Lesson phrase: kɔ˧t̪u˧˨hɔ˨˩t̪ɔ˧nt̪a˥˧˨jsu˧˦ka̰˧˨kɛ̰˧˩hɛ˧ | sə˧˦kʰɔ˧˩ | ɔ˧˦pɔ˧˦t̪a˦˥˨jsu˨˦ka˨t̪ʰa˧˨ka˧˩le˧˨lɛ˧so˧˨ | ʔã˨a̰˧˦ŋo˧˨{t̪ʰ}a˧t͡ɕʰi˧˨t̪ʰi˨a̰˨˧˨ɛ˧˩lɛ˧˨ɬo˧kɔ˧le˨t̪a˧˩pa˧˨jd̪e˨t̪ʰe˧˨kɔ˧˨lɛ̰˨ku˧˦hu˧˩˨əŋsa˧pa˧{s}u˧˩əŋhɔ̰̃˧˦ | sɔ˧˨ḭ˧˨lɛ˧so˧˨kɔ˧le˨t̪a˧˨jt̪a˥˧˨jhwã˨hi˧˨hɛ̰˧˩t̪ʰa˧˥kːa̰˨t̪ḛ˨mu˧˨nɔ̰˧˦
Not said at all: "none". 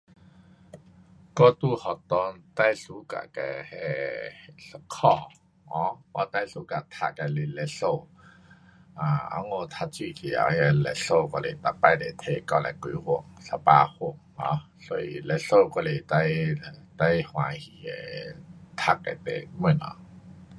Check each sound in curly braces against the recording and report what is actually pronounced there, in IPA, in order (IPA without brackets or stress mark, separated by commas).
t̪ʰ, h